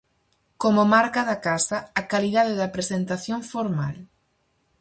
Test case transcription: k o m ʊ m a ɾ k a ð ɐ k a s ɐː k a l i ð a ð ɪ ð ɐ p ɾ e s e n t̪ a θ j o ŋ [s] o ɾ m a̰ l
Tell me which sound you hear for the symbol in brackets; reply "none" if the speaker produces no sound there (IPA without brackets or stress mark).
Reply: f